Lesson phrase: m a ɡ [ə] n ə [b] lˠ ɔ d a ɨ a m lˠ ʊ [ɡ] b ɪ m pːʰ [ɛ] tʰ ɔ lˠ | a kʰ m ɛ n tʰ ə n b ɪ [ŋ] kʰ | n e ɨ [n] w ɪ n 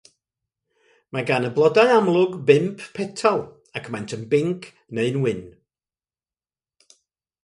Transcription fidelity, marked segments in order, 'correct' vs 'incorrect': incorrect: a, correct, correct, correct, correct, correct

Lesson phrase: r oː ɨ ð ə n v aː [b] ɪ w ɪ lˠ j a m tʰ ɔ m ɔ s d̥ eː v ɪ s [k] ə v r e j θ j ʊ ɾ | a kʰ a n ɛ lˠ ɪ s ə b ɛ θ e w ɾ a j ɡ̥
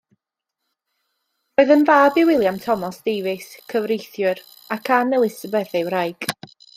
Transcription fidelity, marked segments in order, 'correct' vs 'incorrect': correct, incorrect: kʰ

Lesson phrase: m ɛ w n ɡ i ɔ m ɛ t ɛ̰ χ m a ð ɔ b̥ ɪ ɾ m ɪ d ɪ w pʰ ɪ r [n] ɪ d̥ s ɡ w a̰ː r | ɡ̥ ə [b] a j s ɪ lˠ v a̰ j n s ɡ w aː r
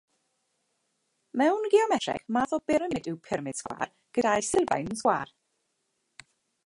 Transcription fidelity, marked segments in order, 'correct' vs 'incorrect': incorrect: m, incorrect: d

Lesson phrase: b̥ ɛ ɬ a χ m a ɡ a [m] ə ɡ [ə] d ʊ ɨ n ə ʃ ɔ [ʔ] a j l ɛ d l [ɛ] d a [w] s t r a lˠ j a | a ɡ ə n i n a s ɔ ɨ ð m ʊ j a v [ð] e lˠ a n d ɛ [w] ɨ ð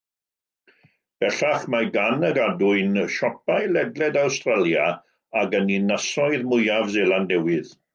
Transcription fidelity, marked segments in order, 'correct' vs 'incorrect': incorrect: n, incorrect: a, incorrect: p, correct, correct, incorrect: z, correct

